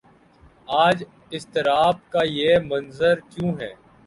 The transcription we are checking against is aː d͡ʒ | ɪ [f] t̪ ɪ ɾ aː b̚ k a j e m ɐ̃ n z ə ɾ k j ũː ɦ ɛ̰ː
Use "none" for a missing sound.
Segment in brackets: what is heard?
s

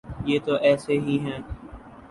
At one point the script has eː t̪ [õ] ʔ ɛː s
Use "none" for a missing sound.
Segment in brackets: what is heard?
o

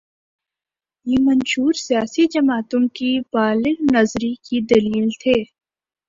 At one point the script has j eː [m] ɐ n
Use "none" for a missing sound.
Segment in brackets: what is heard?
m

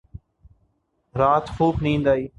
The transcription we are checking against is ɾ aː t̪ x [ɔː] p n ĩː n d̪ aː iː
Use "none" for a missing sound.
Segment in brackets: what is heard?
uː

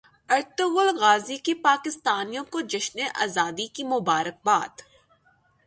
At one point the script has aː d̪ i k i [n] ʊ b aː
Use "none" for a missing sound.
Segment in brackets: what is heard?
m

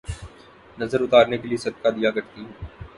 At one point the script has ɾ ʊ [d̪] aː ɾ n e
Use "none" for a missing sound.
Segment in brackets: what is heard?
t̪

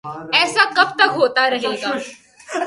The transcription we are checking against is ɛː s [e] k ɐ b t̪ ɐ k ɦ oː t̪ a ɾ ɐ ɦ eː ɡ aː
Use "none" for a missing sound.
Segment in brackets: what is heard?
a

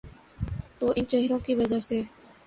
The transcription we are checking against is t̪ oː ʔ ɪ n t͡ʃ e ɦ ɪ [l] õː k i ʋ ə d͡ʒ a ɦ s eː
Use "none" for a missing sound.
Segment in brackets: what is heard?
ɾ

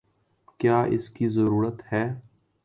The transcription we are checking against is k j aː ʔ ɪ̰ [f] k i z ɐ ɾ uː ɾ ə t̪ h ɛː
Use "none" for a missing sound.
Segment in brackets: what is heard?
s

